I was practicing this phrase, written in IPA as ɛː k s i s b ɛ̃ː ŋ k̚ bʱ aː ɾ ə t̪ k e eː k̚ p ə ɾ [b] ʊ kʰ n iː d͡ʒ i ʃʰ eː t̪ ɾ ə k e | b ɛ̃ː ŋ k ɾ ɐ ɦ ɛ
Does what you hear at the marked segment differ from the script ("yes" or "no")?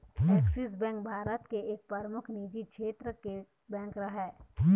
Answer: yes